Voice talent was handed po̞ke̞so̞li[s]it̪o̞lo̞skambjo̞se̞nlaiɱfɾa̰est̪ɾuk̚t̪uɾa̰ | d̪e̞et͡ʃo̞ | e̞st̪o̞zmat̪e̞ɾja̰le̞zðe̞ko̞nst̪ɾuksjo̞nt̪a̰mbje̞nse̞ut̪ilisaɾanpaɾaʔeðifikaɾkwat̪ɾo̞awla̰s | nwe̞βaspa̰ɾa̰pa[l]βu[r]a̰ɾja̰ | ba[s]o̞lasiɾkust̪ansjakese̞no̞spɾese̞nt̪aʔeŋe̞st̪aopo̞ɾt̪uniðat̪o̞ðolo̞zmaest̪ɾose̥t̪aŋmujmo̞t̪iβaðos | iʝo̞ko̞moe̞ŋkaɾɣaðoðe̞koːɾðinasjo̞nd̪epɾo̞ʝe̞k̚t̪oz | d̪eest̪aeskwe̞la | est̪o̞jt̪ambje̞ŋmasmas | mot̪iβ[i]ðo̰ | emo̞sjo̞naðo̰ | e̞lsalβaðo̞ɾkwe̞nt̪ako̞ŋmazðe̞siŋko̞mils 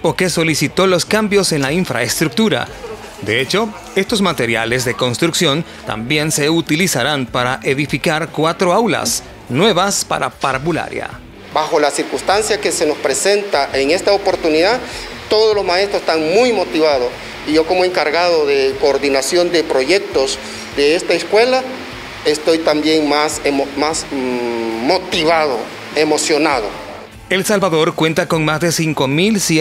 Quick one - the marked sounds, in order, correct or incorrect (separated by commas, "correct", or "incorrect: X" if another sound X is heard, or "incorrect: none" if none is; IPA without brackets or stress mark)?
correct, incorrect: ɾ, incorrect: l, incorrect: x, incorrect: a